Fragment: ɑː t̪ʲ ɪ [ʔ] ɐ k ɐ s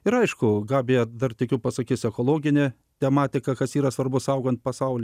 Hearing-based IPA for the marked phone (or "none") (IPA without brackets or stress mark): k